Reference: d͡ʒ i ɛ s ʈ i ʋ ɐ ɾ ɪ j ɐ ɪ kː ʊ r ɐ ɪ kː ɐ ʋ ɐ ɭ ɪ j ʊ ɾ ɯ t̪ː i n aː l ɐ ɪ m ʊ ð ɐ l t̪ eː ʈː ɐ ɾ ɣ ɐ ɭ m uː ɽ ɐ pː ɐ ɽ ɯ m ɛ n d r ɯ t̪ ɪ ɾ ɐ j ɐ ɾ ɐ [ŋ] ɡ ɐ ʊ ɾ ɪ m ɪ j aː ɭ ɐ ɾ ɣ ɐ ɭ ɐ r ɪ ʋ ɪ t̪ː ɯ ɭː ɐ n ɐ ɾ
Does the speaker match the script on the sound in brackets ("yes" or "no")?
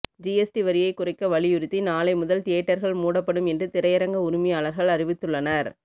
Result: yes